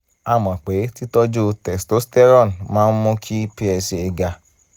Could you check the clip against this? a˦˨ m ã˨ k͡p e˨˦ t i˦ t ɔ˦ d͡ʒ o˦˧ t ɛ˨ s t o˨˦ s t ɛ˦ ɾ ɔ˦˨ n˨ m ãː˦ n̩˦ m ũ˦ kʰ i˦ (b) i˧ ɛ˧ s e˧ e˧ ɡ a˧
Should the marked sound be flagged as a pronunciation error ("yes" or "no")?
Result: yes